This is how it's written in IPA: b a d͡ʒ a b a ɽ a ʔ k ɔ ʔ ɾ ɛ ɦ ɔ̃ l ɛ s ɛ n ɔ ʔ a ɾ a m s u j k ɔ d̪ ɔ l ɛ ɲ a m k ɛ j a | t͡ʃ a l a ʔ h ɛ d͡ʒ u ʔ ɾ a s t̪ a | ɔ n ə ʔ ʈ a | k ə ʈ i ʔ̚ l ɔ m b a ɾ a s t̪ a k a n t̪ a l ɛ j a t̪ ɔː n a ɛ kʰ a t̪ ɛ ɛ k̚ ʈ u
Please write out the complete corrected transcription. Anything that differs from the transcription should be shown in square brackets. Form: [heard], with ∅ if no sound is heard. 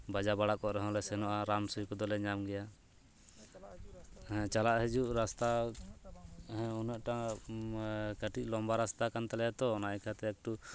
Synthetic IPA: b a d͡ʒ a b a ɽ a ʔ k ɔ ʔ ɾ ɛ ɦ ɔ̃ l ɛ s ɛ n ɔ ʔ a ɾ a m s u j k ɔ d̪ ɔ l ɛ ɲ a m [ɡ] ɛ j a | t͡ʃ a l a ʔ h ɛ d͡ʒ u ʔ ɾ a s t̪ a | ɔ n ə ʔ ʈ a | k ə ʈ i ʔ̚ l ɔ m b a ɾ a s t̪ a k a n t̪ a l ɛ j a t̪ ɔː n a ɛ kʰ a t̪ ɛ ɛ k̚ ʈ u